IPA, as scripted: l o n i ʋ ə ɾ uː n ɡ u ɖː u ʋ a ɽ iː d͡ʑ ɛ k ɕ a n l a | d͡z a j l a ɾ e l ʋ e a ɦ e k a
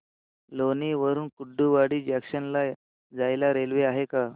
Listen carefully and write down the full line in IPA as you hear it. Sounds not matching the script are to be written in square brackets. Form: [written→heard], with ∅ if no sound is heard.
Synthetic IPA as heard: l o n i ʋ ə ɾ uː n [ɡ→k] u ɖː u ʋ a ɽ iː d͡ʑ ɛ k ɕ [a→ə] n l a | d͡z a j l a ɾ e l ʋ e a ɦ e k a